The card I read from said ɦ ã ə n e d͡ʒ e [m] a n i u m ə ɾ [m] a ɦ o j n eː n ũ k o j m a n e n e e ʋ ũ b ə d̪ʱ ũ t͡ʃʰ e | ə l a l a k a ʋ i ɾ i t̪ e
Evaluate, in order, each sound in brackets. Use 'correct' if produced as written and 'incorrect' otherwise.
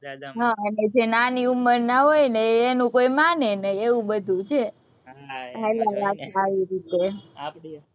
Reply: incorrect: n, incorrect: n

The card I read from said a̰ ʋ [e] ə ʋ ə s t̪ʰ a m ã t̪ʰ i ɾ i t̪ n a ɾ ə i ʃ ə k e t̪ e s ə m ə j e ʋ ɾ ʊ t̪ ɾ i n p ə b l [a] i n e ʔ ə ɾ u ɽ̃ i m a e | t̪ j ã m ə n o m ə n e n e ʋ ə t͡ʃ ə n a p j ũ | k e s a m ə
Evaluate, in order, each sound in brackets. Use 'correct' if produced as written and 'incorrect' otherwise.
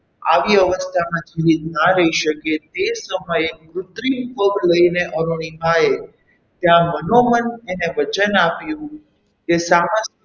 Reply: incorrect: i, incorrect: ə

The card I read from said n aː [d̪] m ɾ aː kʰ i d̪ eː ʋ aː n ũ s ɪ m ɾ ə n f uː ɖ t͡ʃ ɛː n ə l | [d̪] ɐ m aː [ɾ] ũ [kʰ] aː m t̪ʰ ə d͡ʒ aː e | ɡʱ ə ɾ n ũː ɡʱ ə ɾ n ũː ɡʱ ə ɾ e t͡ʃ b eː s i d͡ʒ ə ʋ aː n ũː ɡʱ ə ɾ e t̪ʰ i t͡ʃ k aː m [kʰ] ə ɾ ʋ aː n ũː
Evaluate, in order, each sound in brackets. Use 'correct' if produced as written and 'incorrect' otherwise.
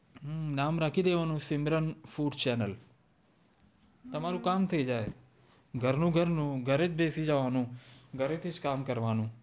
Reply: incorrect: none, incorrect: t̪, correct, incorrect: k, incorrect: k

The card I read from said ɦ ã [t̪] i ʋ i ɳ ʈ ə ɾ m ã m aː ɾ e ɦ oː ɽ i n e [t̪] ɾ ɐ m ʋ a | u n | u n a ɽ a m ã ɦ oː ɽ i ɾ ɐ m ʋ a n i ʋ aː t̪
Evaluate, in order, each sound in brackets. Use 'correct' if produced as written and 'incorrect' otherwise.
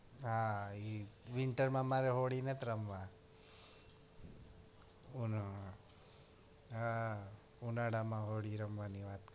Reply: incorrect: none, correct

